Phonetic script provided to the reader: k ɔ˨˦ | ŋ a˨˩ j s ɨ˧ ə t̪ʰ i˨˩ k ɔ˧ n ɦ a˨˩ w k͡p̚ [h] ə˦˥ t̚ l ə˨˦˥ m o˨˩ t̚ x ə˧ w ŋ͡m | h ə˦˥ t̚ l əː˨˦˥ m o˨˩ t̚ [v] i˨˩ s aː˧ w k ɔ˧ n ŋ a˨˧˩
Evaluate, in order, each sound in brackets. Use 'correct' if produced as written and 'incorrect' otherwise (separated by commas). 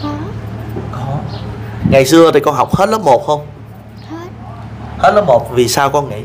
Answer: correct, correct